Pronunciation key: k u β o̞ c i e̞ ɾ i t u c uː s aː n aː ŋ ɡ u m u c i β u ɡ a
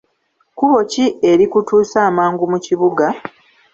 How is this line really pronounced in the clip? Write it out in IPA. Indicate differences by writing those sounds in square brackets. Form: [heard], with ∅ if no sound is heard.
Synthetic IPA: k u β o̞ c i e̞ ɾ i [k] u [t] uː s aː [m] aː ŋ ɡ u m u c i β u ɡ a